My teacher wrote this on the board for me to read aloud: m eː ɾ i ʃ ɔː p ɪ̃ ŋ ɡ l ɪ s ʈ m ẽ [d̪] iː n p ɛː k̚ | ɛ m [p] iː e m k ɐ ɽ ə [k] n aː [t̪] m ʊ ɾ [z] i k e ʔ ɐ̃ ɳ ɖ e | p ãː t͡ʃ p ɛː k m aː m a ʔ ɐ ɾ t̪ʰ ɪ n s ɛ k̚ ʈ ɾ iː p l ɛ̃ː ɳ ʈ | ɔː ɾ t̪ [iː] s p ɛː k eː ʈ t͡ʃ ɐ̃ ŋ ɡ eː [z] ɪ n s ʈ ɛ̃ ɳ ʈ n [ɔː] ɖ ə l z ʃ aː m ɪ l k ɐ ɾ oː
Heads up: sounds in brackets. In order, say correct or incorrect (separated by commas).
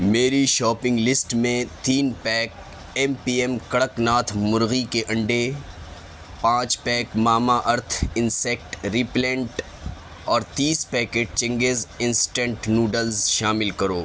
incorrect, correct, correct, incorrect, incorrect, correct, correct, incorrect